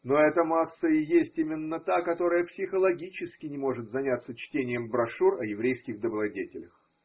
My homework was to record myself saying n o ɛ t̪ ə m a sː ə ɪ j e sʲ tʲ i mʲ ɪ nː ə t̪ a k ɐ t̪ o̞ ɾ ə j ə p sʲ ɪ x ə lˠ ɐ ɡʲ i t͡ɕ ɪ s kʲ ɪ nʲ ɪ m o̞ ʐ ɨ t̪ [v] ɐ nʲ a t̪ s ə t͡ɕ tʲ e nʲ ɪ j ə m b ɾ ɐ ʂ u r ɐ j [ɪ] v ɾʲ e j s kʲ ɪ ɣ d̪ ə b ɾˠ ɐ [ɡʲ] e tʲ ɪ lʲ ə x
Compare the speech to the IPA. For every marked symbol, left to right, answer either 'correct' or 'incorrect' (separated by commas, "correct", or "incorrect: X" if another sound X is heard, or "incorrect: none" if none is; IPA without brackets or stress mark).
incorrect: z, correct, incorrect: dʲ